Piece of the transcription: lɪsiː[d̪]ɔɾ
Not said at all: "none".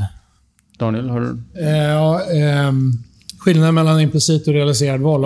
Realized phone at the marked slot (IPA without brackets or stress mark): t̪